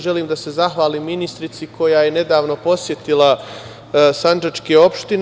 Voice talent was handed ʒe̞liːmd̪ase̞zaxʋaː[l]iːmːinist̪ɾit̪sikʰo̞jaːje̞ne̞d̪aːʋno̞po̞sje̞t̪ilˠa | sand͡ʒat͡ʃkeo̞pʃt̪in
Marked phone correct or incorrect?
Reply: correct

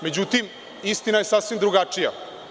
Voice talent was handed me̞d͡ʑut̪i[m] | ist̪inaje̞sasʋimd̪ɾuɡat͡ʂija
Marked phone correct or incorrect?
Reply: correct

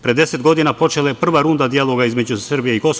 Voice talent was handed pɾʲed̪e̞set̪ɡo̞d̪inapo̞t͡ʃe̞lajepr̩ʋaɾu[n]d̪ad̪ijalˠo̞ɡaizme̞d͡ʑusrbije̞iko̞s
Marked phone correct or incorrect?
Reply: correct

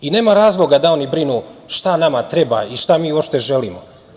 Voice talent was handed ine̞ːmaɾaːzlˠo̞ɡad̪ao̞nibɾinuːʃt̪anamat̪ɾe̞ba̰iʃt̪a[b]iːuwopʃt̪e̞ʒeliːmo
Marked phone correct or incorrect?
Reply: incorrect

